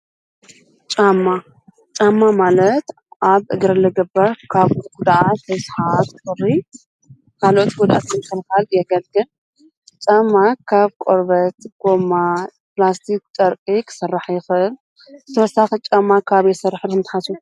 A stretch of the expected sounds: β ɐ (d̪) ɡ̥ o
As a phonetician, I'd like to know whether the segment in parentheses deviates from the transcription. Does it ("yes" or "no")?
yes